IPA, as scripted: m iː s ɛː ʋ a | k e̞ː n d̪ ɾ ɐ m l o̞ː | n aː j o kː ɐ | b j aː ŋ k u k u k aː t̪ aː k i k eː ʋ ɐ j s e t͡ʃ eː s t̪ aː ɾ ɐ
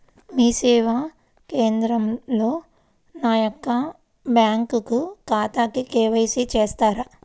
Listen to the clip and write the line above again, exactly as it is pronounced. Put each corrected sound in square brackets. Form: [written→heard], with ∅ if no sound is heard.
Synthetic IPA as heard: m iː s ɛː ʋ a | k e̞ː n d̪ ɾ ɐ m l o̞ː | n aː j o kː ɐ | b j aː ŋ k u k u k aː t̪ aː k i k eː ʋ ɐ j s [e→i] t͡ʃ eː s t̪ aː ɾ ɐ

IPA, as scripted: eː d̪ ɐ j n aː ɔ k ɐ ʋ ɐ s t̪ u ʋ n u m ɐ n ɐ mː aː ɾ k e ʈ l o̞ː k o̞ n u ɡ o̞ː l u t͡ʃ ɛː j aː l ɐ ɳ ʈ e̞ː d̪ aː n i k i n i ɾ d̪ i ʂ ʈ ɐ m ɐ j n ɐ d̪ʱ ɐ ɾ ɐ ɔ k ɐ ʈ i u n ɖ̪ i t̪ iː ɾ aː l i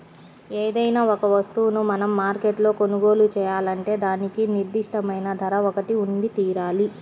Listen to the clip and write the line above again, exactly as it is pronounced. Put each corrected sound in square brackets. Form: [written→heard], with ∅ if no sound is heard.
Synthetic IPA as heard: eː d̪ ɐ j n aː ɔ k ɐ ʋ ɐ s t̪ u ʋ n u m ɐ n ɐ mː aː ɾ k e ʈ l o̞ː k o̞ n u ɡ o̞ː l u t͡ʃ ɛː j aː l ɐ ɳ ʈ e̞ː d̪ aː n i k i n i ɾ d̪ i ʂ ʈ ɐ m ɐ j n ɐ d̪ʱ ɐ ɾ ɐ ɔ k ɐ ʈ i u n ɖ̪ i t̪ iː ɾ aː l i

